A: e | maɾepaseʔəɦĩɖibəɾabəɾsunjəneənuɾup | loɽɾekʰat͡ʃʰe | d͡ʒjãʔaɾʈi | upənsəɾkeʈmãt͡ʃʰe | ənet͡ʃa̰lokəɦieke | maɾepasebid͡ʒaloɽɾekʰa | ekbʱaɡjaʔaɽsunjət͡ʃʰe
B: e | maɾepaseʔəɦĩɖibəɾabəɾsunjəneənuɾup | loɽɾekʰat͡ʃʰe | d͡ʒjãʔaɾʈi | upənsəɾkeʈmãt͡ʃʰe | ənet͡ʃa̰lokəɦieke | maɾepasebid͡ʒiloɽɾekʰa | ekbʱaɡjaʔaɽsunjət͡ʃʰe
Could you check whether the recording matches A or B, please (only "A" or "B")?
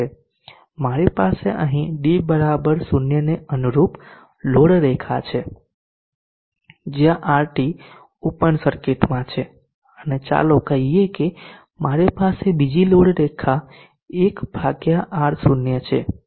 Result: B